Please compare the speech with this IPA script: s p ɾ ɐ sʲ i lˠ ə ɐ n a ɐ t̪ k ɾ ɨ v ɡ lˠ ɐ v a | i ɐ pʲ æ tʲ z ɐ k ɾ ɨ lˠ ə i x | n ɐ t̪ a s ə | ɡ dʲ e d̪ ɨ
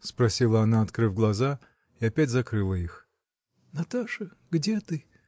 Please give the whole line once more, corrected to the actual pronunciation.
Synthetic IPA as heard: s p ɾ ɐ sʲ i lˠ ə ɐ n a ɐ t̪ k ɾ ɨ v ɡ lˠ ɐ z a | i ɐ pʲ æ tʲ z ɐ k ɾ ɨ lˠ ə i x | n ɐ t̪ a ʂ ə | ɡ dʲ e t̪ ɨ